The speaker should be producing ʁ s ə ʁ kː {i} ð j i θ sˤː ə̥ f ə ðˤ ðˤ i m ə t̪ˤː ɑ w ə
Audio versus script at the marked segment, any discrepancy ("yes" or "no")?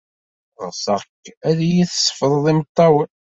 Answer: yes